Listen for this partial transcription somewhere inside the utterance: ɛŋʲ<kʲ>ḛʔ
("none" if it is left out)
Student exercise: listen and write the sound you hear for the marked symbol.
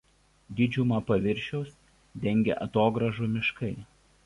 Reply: ɡʲ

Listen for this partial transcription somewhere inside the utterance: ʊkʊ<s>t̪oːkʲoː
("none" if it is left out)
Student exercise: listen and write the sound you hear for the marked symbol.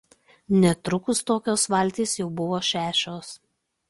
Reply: s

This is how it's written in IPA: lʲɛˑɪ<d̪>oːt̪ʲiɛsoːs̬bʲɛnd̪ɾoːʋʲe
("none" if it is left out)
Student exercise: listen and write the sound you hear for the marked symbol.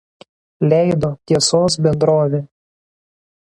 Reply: d̪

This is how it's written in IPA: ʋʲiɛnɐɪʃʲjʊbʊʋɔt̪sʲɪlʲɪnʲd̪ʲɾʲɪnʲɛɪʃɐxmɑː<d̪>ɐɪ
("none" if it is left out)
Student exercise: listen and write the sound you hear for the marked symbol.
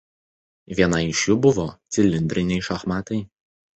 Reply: t̪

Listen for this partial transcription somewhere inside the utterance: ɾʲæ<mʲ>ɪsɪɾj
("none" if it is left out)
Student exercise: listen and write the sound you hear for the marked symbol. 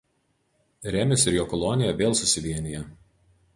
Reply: mʲ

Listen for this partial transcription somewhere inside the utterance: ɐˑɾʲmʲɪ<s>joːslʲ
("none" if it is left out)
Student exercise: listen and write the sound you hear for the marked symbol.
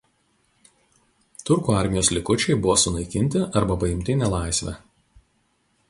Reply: none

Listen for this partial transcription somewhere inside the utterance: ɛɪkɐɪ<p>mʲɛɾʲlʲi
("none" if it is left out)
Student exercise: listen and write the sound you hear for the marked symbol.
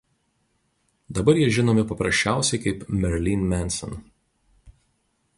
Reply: p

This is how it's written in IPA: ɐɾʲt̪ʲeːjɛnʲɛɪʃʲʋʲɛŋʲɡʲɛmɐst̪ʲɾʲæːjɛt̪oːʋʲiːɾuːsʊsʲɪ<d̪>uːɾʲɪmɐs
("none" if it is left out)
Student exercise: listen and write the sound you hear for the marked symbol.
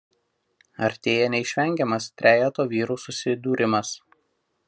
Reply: d̪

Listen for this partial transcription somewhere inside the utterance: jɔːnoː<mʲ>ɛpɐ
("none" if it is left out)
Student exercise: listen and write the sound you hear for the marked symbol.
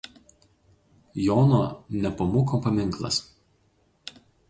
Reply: nʲ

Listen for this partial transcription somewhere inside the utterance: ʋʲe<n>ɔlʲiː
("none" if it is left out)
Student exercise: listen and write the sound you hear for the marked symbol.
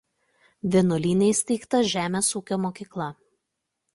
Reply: n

